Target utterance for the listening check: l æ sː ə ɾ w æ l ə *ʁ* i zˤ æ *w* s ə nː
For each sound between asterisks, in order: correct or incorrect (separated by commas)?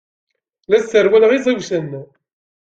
correct, correct